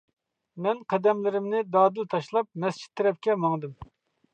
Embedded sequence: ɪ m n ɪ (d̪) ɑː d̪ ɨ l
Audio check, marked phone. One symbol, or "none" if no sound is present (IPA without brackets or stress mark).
d̪